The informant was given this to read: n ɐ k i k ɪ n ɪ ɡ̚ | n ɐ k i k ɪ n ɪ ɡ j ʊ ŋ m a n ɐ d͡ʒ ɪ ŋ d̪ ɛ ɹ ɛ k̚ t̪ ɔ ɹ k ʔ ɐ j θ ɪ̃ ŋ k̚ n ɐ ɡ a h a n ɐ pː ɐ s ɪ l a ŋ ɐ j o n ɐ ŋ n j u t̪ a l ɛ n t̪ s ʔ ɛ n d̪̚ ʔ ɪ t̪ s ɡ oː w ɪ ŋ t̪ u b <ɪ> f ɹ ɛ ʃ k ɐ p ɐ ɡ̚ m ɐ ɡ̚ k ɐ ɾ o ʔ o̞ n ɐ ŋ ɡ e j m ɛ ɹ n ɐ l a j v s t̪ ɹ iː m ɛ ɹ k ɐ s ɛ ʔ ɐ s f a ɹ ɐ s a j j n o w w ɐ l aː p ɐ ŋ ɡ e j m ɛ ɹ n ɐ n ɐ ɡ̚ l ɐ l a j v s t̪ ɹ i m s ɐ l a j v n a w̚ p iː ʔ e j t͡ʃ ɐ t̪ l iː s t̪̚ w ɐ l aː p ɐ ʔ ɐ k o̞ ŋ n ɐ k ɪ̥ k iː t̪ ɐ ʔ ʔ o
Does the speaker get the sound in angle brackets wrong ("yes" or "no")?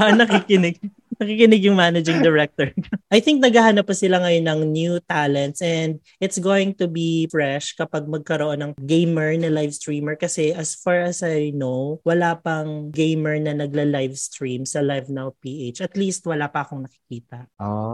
yes